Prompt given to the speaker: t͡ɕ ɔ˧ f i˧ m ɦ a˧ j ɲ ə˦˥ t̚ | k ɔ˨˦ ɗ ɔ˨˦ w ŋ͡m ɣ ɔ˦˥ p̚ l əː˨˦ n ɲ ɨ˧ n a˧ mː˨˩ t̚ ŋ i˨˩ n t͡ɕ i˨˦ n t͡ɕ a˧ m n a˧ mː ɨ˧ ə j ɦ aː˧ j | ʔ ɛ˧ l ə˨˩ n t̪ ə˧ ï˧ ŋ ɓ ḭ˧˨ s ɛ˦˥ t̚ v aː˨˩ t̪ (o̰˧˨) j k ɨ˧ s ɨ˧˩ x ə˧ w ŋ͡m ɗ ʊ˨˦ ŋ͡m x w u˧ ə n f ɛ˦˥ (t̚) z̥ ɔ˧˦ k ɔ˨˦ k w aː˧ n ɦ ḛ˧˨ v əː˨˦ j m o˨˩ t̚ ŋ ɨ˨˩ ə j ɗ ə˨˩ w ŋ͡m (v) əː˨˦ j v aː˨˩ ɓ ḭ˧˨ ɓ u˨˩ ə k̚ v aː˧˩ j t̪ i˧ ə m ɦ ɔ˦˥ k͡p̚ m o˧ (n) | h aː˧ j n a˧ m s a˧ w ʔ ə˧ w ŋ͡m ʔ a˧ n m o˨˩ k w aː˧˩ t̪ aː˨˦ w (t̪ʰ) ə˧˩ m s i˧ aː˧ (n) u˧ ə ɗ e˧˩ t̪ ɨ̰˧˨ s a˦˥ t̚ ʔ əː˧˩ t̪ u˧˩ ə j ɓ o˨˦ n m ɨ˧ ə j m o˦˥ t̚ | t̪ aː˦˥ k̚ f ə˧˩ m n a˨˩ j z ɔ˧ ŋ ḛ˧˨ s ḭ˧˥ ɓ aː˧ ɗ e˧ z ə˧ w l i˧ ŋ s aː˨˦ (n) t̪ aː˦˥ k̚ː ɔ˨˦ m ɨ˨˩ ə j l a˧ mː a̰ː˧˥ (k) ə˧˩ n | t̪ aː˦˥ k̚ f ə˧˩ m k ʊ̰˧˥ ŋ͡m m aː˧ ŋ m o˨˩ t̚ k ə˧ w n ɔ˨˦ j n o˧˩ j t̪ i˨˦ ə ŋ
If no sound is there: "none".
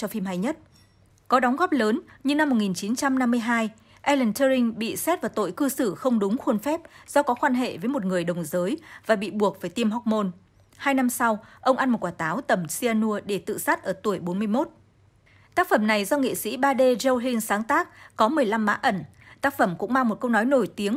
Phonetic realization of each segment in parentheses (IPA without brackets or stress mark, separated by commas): o̰˧˨, p̚, z, n, t̪, n, ŋ, ʔ